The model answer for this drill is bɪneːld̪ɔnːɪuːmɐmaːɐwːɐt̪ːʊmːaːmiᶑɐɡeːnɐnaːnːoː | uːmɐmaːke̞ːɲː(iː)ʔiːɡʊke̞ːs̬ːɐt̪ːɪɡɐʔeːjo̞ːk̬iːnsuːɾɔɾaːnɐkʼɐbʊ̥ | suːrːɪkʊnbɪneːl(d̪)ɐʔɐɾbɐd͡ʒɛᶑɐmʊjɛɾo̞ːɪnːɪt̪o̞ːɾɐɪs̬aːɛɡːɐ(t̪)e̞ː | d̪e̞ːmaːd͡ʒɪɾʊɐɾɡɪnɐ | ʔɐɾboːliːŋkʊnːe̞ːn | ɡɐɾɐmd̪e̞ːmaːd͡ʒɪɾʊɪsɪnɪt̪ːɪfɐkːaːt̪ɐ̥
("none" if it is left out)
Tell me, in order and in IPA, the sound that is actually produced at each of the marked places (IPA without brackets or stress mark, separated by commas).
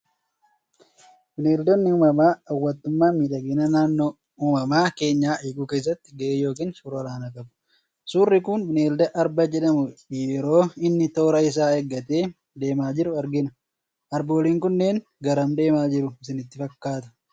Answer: aː, d̪, t̪